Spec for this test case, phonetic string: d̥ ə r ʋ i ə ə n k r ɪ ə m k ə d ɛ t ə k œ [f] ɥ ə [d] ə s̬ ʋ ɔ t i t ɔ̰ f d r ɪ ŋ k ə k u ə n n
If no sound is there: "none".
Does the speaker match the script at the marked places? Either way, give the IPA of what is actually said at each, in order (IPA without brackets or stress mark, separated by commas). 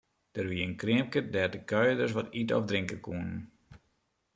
none, d